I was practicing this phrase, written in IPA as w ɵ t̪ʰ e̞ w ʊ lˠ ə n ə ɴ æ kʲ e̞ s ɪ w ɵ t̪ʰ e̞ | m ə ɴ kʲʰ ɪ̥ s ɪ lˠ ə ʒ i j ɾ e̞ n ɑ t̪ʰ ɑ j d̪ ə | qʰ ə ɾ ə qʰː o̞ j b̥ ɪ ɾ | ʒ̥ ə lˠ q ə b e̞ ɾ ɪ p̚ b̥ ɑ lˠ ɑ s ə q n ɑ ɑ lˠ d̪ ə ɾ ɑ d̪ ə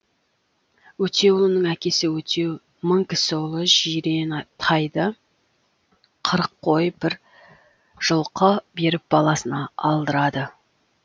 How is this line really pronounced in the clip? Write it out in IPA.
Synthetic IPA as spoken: w ɵ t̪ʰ e̞ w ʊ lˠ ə n ə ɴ æ kʲ e̞ s ɪ w ɵ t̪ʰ e̞ | m ə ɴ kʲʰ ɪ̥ s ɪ lˠ ə ʒ i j ɾ e̞ n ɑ t̪ʰ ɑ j d̪ ə | qʰ ə ɾ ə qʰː o̞ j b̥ ɪ ɾ | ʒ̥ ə lˠ q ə b e̞ ɾ ɪ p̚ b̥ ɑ lˠ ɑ s ə n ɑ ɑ lˠ d̪ ə ɾ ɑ d̪ ə